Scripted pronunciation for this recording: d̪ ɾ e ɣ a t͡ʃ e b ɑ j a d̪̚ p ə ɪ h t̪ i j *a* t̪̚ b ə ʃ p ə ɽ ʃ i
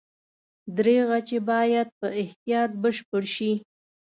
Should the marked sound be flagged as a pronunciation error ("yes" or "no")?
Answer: yes